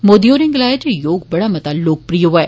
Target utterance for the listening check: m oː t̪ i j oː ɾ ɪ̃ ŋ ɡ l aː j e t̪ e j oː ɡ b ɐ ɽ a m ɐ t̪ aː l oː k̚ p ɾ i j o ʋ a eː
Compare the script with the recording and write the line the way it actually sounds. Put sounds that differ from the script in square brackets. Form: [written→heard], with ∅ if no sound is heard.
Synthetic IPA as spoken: m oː [t̪→d̪] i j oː ɾ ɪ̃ ŋ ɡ l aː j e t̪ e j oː ɡ b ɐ ɽ a m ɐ t̪ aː l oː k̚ p ɾ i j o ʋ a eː

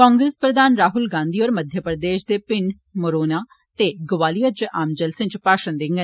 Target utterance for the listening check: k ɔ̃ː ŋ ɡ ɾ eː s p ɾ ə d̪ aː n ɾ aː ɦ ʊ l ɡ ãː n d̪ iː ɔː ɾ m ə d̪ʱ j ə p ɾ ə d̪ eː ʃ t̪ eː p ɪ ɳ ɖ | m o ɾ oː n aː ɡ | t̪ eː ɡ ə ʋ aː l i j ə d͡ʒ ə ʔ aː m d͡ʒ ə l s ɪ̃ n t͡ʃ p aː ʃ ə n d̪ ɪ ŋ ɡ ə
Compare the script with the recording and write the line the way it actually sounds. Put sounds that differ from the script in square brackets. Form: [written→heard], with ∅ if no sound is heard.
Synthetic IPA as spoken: k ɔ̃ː ŋ ɡ ɾ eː s p ɾ ə d̪ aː n ɾ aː ɦ ʊ l ɡ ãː n d̪ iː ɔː ɾ m ə d̪ʱ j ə p ɾ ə d̪ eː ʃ [t̪→d̪] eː p ɪ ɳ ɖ | m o ɾ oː n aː [ɡ→∅] | t̪ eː ɡ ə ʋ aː l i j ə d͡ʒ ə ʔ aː m d͡ʒ ə l s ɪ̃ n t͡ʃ p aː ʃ ə n d̪ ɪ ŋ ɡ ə

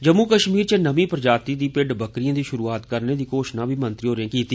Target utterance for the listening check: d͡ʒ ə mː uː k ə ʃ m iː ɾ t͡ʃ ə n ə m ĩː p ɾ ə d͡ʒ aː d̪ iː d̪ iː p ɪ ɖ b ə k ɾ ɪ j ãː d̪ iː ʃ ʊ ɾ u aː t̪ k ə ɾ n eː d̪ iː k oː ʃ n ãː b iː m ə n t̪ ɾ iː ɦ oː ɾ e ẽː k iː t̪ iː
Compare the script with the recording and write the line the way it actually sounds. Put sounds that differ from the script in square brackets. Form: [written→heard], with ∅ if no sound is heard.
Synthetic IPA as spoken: d͡ʒ ə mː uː k ə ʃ m iː ɾ t͡ʃ ə n ə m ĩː p ɾ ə d͡ʒ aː [d̪→t̪] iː d̪ iː p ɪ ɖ b ə k ɾ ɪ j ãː d̪ iː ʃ ʊ ɾ [u→uː] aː t̪ k ə ɾ n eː d̪ iː k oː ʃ n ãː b iː m ə n t̪ ɾ iː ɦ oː ɾ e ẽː k iː t̪ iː

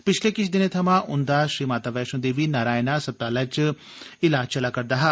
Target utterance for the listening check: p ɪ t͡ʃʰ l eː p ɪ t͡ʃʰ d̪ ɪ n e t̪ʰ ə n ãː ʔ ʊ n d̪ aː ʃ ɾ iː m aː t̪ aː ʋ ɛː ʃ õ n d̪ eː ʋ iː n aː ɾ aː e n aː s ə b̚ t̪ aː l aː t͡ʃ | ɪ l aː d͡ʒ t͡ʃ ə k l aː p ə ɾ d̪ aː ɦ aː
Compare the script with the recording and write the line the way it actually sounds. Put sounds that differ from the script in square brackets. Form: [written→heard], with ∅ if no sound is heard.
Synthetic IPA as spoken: p ɪ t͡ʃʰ l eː [p→k] ɪ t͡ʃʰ d̪ ɪ n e t̪ʰ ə [n→m] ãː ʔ ʊ n d̪ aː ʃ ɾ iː m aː t̪ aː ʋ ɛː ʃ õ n d̪ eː ʋ iː n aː ɾ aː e n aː s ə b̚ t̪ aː l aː t͡ʃ | ɪ l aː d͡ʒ t͡ʃ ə [k→∅] l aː [p→k] ə ɾ d̪ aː ɦ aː

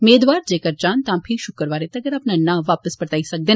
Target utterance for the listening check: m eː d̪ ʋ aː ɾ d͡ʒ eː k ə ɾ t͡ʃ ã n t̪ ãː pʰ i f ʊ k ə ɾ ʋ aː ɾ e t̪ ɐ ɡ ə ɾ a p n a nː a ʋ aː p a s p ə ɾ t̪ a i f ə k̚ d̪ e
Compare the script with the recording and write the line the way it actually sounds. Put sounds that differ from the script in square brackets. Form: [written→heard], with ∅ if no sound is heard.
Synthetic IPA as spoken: m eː d̪ ʋ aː ɾ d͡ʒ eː k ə ɾ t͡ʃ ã n t̪ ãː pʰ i [f→ʃ] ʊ k ə ɾ ʋ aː ɾ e t̪ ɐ ɡ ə ɾ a p n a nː a ʋ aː p [a→ə] s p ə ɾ t̪ a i [f→s] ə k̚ d̪ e

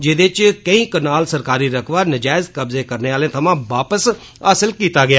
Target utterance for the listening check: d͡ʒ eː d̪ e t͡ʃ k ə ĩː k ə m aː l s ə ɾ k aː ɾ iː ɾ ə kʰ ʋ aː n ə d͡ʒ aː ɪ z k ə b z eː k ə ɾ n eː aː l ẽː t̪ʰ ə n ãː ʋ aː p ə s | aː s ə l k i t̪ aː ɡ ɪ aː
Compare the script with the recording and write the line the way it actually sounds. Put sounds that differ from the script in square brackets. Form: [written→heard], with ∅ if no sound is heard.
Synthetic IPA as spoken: d͡ʒ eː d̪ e t͡ʃ k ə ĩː k ə [m→n] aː l s ə ɾ k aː ɾ iː ɾ ə kʰ ʋ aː n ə d͡ʒ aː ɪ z k ə b z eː k ə ɾ n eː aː l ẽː t̪ʰ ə [n→m] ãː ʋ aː p ə s | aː s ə l k [i→iː] t̪ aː ɡ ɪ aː

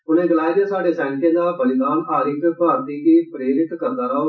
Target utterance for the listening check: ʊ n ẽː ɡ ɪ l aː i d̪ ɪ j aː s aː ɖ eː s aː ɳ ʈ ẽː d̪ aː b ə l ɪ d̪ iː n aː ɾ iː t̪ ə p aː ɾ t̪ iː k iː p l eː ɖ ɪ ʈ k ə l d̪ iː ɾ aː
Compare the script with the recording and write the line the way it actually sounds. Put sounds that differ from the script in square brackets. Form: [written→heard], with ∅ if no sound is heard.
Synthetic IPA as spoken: ʊ n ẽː ɡ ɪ l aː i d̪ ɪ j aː s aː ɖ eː s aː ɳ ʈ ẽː d̪ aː b ə l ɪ d̪ [iː→aː] n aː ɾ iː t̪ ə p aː ɾ t̪ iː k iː p [l→ɾ] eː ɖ ɪ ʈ k ə [l→ɾ] d̪ [iː→aː] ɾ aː

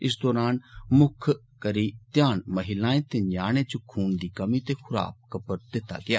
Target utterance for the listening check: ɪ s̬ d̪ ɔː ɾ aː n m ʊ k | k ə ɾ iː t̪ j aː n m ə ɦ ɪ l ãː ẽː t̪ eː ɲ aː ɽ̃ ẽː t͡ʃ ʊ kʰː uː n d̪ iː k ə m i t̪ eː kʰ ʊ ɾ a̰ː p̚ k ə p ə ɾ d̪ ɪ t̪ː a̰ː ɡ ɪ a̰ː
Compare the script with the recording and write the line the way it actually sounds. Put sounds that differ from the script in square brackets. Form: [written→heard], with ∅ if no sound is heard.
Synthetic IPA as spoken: ɪ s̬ d̪ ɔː ɾ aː n m ʊ [k→kʰ] | k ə ɾ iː t̪ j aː n m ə ɦ ɪ l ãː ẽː t̪ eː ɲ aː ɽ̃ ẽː t͡ʃ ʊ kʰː uː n d̪ iː k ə m i t̪ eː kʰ ʊ ɾ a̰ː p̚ k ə p ə ɾ d̪ ɪ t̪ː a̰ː ɡ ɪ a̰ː

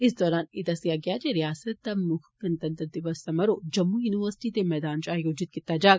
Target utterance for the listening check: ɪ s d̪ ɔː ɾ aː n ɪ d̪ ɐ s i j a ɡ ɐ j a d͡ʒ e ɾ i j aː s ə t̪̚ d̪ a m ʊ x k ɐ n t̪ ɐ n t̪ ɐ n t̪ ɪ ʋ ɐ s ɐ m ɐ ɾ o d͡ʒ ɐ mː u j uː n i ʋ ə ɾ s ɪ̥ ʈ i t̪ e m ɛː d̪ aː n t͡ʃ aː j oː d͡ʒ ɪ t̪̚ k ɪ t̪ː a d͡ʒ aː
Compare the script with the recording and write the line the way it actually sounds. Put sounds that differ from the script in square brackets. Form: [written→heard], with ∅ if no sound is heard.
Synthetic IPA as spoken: ɪ s d̪ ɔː ɾ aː n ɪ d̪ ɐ s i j a ɡ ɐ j a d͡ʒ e ɾ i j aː s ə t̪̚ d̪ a m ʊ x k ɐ n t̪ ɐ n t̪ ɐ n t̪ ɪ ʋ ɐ s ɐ m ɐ ɾ o d͡ʒ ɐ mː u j uː n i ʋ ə ɾ s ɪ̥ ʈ i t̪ e m ɛː d̪ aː n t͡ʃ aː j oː d͡ʒ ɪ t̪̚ k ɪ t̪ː a d͡ʒ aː

